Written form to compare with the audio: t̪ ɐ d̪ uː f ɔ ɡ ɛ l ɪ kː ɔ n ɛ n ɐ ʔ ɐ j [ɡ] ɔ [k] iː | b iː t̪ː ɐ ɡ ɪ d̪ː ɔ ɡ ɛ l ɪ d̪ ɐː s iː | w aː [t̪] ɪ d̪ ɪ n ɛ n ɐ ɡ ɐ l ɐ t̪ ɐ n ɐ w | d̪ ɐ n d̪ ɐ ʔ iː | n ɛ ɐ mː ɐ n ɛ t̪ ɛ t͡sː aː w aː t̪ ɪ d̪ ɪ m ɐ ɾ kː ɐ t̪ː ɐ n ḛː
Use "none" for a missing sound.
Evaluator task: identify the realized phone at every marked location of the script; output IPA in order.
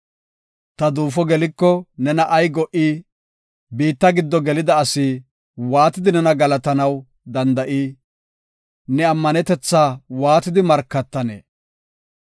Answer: ɡ, ʔ, t̪

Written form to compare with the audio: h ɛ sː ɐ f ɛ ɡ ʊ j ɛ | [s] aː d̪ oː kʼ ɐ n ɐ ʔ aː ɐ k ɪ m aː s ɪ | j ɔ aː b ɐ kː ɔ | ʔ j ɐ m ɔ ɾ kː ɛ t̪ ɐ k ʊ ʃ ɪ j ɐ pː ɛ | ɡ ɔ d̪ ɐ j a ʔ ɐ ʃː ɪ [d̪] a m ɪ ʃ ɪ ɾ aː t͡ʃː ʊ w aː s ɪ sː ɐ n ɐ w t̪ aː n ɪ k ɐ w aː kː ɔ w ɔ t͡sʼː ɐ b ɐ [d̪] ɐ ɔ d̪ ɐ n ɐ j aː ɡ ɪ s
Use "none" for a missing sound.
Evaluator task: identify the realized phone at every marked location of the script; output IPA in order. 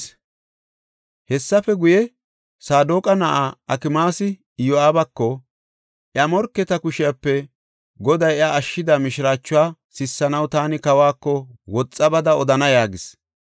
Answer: s, d̪, d̪

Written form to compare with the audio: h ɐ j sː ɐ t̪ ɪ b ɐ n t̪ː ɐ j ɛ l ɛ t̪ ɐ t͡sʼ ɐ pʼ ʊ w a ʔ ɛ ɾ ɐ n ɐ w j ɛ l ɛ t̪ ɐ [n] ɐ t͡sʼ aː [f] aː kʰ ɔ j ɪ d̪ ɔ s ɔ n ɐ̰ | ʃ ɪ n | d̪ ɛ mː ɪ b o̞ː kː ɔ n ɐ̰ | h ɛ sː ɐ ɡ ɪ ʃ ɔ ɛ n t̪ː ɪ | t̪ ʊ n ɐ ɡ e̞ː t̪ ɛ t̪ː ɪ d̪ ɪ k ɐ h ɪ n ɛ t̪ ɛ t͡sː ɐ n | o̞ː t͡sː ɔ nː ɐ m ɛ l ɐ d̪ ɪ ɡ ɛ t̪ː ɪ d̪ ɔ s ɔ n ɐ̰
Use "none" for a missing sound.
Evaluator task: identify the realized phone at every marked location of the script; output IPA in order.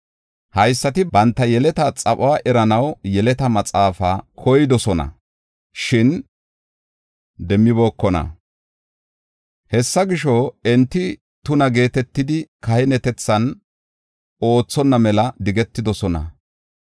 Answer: m, f

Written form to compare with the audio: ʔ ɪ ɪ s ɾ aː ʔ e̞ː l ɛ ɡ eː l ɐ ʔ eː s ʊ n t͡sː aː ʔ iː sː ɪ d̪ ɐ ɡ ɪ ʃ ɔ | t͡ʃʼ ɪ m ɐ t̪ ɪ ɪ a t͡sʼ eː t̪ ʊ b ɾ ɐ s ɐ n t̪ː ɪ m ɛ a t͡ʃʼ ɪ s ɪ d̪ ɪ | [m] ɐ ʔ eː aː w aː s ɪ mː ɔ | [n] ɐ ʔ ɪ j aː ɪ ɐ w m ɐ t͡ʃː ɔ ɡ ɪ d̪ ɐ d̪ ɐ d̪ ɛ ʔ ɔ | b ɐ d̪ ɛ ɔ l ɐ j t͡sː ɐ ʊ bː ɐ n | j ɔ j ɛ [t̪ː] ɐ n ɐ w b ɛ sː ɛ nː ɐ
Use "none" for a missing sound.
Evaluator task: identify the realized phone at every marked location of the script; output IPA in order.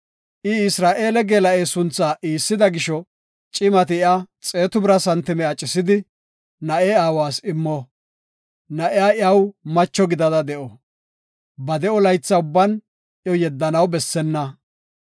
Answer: n, n, d̪ː

